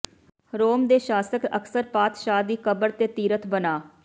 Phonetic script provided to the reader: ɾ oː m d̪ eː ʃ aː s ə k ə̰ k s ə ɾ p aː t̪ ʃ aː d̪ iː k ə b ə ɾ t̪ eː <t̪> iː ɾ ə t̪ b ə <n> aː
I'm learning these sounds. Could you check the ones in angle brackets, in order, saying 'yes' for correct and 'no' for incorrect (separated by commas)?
yes, yes